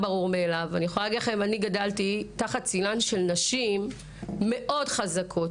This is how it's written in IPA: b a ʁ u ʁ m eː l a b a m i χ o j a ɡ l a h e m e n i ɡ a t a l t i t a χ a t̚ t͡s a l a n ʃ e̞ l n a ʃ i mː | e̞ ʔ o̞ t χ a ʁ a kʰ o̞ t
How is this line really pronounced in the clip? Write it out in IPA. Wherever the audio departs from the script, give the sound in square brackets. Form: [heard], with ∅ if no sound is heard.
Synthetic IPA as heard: b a ʁ u ʁ m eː l a [v] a [n] i χ o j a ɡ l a [χ] e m [a] n i ɡ a [d] a l t i t a χ a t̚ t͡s [i] l a n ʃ e̞ l n a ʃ i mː | e̞ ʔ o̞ [d] χ a [z] a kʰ o̞ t